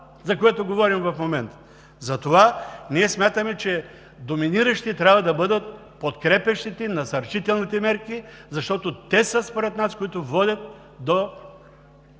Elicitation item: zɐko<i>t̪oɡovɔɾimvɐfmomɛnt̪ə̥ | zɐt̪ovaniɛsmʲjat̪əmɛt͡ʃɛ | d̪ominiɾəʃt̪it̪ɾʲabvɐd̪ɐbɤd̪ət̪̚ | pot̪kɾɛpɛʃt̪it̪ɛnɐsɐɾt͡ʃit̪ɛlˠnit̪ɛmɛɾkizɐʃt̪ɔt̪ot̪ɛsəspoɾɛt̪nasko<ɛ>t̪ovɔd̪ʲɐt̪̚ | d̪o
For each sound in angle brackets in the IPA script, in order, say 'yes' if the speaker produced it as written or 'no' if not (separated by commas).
no, no